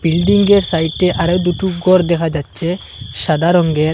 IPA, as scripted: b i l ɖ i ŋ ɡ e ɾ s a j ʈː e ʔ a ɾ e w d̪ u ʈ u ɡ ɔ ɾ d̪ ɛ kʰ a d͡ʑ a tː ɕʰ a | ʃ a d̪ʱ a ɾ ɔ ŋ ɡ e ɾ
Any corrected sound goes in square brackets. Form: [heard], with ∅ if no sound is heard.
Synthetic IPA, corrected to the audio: b i l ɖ i ŋ ɡ e ɾ s a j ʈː e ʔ a ɾ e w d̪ u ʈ u ɡ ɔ ɾ d̪ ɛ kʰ a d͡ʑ a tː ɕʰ [e] | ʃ a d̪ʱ a ɾ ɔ ŋ ɡ e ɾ

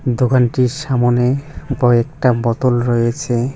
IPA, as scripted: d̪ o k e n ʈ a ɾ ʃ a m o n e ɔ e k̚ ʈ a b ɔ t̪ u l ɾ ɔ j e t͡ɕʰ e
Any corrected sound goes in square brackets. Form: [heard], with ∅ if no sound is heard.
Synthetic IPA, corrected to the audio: d̪ o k [a] n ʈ [i] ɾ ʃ a m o n e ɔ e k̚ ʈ a b ɔ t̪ [o] l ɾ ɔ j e t͡ɕʰ e

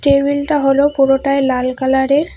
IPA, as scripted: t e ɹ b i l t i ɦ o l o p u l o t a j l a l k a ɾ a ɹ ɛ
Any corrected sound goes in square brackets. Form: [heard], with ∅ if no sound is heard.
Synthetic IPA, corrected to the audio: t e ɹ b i l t [a] ɦ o l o p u [ɹ] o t a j l a l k a [l] a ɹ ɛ

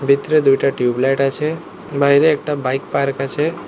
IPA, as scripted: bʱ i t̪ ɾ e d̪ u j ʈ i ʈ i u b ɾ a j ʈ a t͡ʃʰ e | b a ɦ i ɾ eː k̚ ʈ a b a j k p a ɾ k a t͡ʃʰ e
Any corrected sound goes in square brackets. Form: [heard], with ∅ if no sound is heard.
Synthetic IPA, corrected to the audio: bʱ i t̪ ɾ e d̪ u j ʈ [a] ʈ [j] u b [l] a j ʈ a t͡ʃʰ e | b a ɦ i ɾ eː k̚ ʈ a b a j k p a ɾ k a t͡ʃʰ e

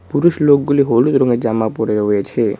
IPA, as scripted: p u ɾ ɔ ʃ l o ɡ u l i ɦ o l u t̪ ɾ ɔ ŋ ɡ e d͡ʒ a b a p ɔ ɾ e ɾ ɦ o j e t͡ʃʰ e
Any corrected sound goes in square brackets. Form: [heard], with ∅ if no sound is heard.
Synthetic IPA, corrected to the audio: p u ɾ [u] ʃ l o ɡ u l i ɦ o l u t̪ ɾ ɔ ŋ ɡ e d͡ʒ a [m] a p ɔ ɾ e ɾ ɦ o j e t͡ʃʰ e

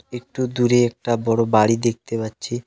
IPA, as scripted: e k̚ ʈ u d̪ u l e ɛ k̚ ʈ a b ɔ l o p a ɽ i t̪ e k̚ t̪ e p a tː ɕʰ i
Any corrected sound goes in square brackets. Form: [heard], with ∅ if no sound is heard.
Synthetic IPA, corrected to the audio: e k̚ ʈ u d̪ u [ɾ] e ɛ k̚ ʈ a b ɔ [ɽ] o [b] a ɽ i [d̪] e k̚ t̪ e p a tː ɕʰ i

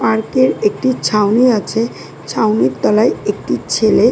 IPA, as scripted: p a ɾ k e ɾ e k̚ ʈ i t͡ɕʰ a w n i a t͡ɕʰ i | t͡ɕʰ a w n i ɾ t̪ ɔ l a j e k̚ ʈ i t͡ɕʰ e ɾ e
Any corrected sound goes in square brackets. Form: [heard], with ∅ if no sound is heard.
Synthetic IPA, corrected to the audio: p a ɾ k e ɾ e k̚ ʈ i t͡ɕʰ a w n i a t͡ɕʰ [e] | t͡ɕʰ a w n i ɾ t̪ ɔ l a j e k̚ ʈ i t͡ɕʰ e [l] e

